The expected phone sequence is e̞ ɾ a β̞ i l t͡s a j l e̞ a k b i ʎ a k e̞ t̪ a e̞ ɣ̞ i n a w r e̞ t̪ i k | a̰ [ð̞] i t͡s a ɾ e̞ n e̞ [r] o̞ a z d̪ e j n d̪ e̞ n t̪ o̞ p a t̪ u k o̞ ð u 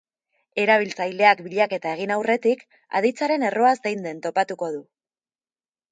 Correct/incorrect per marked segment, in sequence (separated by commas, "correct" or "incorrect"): correct, correct